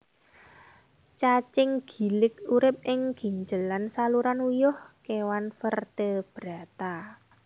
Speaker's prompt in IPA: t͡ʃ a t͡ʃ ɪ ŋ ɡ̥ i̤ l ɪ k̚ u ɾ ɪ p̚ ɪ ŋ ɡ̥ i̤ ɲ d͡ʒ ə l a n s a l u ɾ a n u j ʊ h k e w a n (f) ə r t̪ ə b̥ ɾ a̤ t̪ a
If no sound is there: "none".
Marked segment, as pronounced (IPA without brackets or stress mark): f